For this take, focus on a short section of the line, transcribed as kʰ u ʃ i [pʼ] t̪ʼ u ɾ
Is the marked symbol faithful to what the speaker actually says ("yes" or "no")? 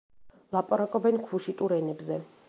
no